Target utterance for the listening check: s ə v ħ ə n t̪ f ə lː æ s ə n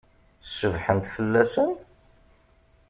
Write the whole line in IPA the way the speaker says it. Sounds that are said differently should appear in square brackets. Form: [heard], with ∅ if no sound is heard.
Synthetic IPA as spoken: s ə v ħ ə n t̪ f ə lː æ s ə n